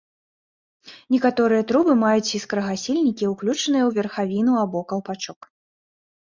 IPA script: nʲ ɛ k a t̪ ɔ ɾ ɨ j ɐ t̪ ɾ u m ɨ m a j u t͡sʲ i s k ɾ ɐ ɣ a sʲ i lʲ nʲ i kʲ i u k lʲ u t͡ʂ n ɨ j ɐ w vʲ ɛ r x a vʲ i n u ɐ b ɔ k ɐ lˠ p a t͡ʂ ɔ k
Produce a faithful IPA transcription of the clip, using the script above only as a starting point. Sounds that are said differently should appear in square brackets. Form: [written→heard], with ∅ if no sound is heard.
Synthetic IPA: nʲ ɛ k a t̪ ɔ ɾ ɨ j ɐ t̪ ɾ u [m→b] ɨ m a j u t͡sʲ i s k ɾ ɐ ɣ a sʲ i lʲ nʲ i kʲ i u k lʲ u t͡ʂ n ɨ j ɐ w vʲ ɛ r x a vʲ i n u [ɐ→a] b ɔ k ɐ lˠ p a t͡ʂ ɔ k